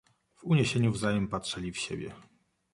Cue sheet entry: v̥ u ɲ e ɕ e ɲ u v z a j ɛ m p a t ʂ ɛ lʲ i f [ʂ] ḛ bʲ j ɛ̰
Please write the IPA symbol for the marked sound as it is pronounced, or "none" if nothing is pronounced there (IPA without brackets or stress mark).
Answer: ɕ